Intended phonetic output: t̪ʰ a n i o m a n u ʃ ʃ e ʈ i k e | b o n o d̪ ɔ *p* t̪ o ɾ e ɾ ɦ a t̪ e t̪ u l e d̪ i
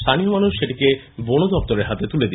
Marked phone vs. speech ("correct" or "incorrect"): correct